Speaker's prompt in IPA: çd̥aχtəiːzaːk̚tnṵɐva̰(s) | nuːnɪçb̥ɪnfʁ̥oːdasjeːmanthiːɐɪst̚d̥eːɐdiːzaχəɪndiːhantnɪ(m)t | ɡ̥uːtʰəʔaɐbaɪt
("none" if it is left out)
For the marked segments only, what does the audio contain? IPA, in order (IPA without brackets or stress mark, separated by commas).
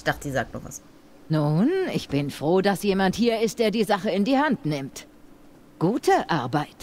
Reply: s, m